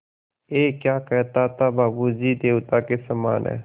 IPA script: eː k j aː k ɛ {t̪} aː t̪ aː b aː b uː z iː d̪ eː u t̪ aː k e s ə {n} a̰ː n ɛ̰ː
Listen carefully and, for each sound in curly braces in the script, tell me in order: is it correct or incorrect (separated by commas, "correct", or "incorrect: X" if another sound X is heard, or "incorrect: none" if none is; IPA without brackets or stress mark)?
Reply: correct, incorrect: m